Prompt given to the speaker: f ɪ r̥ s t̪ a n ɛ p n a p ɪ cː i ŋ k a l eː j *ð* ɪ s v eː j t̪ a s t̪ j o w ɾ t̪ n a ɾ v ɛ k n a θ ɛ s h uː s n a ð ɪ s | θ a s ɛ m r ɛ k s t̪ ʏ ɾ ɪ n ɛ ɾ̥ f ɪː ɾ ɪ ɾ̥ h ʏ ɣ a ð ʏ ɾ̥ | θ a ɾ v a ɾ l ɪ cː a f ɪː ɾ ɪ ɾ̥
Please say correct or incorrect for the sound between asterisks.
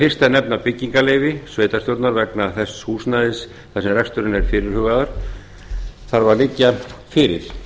incorrect